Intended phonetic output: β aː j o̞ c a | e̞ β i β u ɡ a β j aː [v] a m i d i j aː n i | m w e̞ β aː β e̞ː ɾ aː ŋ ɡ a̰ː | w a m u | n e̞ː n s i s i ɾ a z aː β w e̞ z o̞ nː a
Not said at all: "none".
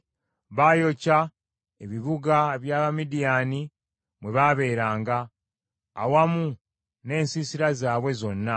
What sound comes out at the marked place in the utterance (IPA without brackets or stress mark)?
β